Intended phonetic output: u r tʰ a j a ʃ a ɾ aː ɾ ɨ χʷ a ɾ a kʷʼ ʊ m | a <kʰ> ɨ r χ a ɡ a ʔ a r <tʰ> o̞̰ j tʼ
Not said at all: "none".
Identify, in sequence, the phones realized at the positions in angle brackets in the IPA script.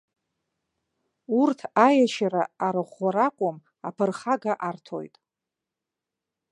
pʰ, tʰ

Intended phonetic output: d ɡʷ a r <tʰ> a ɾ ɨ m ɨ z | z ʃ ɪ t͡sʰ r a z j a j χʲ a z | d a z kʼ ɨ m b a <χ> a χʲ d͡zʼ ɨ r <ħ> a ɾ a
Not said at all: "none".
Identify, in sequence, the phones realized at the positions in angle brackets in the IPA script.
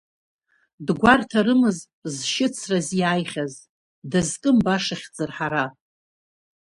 tʰ, ʂ, ħ

